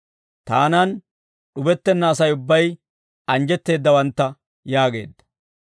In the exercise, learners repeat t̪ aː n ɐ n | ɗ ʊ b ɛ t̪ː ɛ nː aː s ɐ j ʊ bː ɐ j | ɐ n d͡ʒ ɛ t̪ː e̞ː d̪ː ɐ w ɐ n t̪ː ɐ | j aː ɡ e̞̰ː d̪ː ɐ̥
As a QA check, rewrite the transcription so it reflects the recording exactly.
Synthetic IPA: t̪ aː n ɐ n | ɗ ʊ b ɛ t̪ː ɛ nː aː s ɐ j ʊ bː ɐ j | ɐ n d͡ʒ ɛ t̪ː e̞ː d̪ː ɐ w ɐ n t̪ː ɐ | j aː ɡ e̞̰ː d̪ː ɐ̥